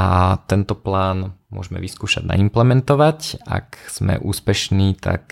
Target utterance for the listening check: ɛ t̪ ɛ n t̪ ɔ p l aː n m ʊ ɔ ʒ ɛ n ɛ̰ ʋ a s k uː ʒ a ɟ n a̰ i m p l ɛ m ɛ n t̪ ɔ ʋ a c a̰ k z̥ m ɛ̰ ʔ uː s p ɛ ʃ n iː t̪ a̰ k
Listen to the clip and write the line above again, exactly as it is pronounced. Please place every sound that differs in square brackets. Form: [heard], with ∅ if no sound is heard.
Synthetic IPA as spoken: [a] t̪ ɛ n t̪ ɔ p l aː n m ʊ ɔ ʒ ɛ [m] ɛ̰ ʋ [i] s k uː [ʃ] a ɟ n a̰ i m p l ɛ m ɛ n t̪ ɔ ʋ a c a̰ k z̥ m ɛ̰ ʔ uː s p ɛ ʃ n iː t̪ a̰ k